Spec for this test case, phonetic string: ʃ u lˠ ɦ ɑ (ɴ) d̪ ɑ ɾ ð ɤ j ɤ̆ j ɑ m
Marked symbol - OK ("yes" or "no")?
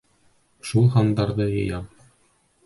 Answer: no